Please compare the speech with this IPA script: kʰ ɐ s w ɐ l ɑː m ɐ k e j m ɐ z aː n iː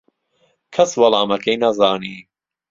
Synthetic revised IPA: kʰ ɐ s w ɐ l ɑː m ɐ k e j n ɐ z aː n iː